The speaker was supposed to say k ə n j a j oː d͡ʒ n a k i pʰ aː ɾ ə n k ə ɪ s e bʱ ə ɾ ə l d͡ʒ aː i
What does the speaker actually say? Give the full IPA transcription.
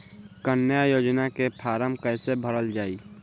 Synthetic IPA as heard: k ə n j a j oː d͡ʒ n a k e pʰ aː ɾ ə m k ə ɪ s e bʱ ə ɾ ə l d͡ʒ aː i

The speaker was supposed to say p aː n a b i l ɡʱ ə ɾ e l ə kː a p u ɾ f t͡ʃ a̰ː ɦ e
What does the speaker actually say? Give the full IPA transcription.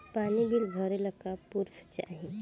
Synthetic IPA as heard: p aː n i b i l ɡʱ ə ɾ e l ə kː a p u ɾ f t͡ʃ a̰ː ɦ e

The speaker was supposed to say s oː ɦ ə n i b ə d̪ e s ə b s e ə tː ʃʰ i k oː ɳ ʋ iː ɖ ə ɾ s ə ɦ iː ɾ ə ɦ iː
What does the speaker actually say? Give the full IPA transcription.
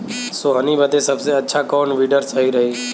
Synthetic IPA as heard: s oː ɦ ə n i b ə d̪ e s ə b s e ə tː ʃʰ a k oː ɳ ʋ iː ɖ ə ɾ s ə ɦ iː ɾ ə ɦ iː

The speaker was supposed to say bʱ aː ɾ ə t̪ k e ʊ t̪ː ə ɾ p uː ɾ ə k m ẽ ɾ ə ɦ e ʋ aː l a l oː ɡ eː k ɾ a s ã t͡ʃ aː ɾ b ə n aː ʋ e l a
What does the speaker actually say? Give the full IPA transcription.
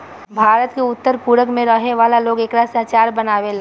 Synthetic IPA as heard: bʱ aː ɾ ə t̪ k e ʊ t̪ː ə ɾ p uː ɾ ə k m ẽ ɾ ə ɦ e ʋ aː l a l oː ɡ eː k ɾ a s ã t͡ʃ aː ɾ b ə n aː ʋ e l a

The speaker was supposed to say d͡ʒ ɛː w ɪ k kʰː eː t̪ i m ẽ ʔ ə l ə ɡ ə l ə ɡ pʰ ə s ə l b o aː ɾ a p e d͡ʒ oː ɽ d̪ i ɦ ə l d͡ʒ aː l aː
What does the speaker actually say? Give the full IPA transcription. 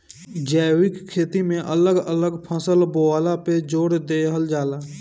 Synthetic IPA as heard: d͡ʒ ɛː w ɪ k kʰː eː t̪ i m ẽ ʔ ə l ə ɡ ə l ə ɡ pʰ ə s ə l b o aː l a p e d͡ʒ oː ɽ d̪ e ɦ ə l d͡ʒ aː l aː

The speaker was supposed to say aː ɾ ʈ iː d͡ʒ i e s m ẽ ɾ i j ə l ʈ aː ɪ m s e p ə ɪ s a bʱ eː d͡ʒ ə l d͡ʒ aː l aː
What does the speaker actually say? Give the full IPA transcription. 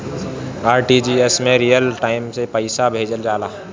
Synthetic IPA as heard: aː ɾ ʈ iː d͡ʒ i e s m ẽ ɾ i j ə l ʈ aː ɪ m s e p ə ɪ s a bʱ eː d͡ʒ ə l d͡ʒ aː l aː

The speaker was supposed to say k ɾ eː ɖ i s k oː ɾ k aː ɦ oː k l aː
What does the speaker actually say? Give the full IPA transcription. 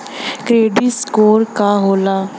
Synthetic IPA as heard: k ɾ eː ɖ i s k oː ɾ k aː ɦ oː l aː

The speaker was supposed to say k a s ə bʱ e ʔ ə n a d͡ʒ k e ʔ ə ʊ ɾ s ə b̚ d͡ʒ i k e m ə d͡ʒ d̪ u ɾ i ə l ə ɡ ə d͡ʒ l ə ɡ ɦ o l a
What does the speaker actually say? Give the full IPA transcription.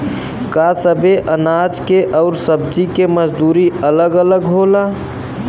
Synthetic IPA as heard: k a s ə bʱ e ʔ ə n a d͡ʒ k e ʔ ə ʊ ɾ s ə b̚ d͡ʒ i k e m ə d͡ʒ d̪ u ɾ i ə l ə ɡ ə l ə ɡ ɦ o l a

